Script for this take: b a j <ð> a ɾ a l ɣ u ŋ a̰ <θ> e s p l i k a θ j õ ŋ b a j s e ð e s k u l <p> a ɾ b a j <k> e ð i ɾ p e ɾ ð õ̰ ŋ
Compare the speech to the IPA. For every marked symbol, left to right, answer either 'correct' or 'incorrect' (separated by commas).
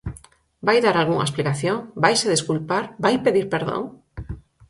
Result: correct, incorrect, correct, incorrect